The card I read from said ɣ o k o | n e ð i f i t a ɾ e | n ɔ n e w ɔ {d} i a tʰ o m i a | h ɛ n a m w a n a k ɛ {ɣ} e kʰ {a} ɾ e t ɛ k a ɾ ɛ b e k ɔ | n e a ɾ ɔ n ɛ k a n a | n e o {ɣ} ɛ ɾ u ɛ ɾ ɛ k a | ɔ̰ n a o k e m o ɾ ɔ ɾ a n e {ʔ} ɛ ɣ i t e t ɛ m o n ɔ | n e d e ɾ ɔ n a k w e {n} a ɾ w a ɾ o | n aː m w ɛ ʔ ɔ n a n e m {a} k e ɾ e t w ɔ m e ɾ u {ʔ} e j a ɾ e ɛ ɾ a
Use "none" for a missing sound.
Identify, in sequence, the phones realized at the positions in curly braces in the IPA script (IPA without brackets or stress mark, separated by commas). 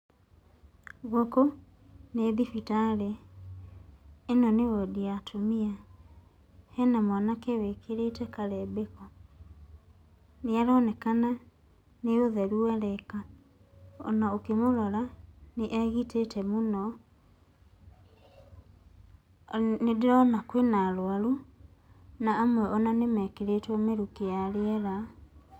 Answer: d, w, e, ð, ʔ, n, ɛ, k